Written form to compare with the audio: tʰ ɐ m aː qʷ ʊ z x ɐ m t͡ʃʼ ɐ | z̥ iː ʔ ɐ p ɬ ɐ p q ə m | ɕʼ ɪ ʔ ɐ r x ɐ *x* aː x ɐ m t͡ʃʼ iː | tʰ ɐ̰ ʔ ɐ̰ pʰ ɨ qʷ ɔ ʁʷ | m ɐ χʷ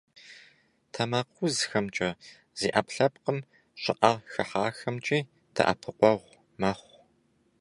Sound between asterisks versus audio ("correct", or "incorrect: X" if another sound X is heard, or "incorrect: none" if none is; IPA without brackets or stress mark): incorrect: ħ